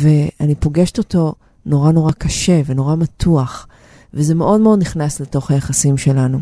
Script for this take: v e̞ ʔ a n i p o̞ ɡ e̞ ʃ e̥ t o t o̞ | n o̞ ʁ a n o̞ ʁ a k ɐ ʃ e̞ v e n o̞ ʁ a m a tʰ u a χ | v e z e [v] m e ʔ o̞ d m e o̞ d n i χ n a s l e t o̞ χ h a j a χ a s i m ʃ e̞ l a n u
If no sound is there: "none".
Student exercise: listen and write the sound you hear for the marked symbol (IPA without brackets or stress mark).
none